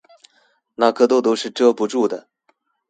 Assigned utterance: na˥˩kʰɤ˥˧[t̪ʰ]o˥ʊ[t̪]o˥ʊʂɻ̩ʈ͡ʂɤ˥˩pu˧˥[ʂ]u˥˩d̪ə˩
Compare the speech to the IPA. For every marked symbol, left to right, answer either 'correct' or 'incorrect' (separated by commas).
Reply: incorrect, correct, incorrect